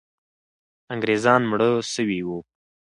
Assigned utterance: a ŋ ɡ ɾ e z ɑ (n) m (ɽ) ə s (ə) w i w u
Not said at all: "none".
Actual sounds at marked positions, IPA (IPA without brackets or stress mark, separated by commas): n, ɽ, ə